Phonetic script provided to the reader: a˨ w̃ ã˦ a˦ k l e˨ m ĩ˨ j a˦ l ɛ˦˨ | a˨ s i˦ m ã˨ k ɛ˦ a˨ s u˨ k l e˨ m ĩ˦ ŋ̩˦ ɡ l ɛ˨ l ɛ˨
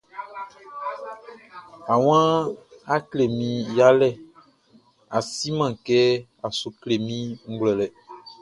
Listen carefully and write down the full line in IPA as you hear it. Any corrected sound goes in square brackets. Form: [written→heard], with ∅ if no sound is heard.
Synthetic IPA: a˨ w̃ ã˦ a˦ k l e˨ m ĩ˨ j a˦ l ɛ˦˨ | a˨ s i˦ m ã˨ k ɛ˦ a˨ s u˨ k l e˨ m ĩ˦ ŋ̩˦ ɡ l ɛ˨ l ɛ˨